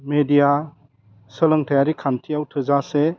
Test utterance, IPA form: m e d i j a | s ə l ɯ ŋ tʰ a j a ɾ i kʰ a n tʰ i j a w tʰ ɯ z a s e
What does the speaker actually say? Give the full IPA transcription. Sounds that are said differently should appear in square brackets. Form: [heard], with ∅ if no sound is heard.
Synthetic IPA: m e d i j a | s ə l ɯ ŋ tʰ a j a ɾ i kʰ a n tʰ i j a w tʰ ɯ z a s e